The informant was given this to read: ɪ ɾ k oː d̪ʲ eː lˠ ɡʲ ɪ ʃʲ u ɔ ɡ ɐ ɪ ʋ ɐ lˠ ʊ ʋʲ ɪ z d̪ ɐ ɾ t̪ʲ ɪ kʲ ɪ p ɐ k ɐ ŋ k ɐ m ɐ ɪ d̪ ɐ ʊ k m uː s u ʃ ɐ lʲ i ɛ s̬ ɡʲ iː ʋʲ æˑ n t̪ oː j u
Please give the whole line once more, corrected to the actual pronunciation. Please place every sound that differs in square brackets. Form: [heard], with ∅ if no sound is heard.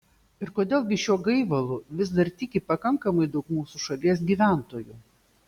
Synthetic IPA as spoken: ɪ ɾ k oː d̪ʲ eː lˠ ɡʲ ɪ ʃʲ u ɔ ɡ ɐ ɪ ʋ ɐ lˠ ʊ ʋʲ ɪ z d̪ ɐ ɾ t̪ʲ ɪ kʲ ɪ p ɐ k ɐ ŋ k ɐ m ɐ ɪ d̪ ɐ ʊ k m uː s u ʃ ɐ lʲ i ɛ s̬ ɡʲ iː ʋʲ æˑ n t̪ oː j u